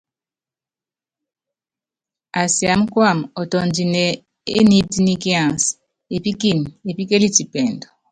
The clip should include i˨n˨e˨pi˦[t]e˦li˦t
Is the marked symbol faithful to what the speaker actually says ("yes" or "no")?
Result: no